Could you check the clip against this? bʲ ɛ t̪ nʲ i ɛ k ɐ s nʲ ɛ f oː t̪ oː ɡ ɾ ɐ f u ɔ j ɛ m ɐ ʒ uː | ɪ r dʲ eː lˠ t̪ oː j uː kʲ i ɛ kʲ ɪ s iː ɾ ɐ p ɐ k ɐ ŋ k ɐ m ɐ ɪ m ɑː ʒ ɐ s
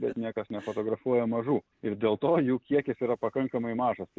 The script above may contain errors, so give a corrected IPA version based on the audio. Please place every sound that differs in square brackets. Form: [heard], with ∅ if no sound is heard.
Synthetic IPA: bʲ ɛ t̪ nʲ i ɛ k ɐ s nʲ ɛ f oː t̪ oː ɡ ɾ ɐ f u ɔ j ɛ m ɐ ʒ uː | ɪ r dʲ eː lˠ t̪ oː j uː kʲ i ɛ kʲ ɪ s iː ɾ ɐ p ɐ k ɐ ŋ k ɐ m ɐ ɪ m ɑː ʒ ɐ s